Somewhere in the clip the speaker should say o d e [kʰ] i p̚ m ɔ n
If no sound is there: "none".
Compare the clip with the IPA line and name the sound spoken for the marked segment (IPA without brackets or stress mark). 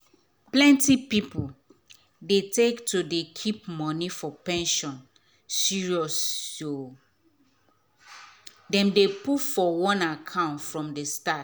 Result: kʰ